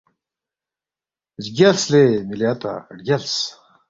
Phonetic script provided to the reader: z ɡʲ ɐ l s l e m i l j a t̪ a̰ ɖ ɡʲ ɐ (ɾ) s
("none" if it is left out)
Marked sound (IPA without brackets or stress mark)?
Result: l